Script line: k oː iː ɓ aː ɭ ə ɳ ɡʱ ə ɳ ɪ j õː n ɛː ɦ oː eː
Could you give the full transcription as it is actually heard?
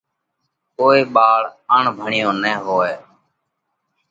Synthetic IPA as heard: k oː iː ɓ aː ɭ ə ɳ bʱ ə ɳ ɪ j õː n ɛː ɦ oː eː